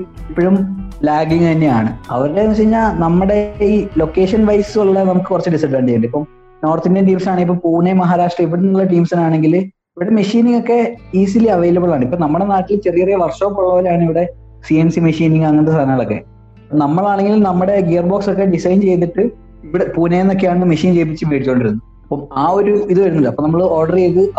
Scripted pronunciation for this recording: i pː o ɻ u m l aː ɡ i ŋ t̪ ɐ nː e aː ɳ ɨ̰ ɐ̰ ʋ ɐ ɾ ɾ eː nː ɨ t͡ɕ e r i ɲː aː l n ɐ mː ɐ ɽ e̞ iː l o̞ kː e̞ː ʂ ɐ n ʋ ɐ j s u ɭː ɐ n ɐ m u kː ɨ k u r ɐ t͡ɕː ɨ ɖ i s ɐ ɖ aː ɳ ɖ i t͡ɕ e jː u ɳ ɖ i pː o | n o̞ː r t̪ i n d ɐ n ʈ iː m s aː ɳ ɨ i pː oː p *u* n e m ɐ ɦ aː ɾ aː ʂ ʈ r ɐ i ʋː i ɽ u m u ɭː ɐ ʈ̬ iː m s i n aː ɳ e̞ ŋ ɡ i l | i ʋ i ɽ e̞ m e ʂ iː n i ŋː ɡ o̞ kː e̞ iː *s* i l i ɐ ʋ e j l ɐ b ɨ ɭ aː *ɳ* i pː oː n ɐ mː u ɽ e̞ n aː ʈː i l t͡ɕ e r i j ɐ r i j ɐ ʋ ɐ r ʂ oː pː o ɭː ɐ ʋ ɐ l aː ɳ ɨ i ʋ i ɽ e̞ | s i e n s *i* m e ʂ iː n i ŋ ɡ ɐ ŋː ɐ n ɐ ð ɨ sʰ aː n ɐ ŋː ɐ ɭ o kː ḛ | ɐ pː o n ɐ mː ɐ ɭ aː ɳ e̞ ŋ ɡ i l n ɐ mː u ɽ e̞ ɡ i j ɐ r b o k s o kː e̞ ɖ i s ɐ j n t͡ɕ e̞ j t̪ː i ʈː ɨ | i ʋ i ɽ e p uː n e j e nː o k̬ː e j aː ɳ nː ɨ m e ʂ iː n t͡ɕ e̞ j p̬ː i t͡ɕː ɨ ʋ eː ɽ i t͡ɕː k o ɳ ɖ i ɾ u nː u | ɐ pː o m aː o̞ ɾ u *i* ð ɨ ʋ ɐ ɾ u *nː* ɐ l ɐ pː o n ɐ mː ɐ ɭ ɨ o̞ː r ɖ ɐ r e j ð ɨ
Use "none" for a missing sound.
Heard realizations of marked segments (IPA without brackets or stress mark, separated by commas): uː, s, ɳ, i, i, nː